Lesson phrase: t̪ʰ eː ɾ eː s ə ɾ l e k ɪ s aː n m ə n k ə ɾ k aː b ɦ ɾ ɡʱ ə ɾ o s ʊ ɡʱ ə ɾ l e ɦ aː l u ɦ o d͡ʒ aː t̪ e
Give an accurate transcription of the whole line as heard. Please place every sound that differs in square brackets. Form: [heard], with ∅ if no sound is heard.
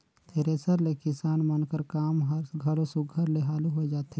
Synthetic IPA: t̪ʰ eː ɾ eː s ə ɾ l e k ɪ s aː n m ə n k ə ɾ k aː [m] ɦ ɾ ɡʱ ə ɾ o s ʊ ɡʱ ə ɾ l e ɦ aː l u ɦ o d͡ʒ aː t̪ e